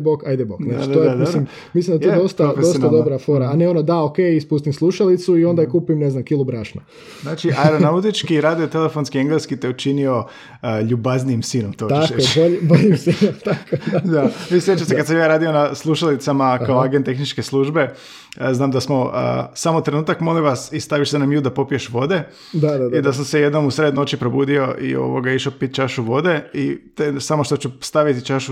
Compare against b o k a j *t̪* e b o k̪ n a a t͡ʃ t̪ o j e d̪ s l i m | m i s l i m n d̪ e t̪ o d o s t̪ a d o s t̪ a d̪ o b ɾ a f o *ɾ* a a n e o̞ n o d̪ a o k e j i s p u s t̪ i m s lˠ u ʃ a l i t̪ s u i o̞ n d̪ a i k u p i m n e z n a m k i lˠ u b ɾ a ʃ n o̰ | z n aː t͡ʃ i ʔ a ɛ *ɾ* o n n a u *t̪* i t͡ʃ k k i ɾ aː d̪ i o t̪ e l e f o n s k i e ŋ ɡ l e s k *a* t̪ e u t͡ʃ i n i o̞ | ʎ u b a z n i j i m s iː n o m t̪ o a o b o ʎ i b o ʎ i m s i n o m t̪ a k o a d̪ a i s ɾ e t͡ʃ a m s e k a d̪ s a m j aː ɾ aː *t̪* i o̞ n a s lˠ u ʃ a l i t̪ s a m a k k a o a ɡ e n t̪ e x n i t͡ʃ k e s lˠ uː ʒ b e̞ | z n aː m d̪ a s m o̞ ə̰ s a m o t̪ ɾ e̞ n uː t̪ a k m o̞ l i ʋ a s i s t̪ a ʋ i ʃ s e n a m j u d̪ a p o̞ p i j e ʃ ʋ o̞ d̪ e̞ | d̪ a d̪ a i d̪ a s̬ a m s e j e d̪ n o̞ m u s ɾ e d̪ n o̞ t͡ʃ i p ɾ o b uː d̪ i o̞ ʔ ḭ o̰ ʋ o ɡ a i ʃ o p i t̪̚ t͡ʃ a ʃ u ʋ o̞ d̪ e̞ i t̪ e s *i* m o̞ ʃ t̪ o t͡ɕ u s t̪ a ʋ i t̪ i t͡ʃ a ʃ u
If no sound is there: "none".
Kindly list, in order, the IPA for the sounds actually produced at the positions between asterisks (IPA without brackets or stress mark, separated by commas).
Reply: d̪, ɾ, ɾ, t̪, i, d̪, a